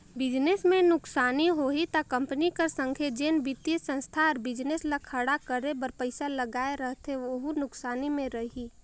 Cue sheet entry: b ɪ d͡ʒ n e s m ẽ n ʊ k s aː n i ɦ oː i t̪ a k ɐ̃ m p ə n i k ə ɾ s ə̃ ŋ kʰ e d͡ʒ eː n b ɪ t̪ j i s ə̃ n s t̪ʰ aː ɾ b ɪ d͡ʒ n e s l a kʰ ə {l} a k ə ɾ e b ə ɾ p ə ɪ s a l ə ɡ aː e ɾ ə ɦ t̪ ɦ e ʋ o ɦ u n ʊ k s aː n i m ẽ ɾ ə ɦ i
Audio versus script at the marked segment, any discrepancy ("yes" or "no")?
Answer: yes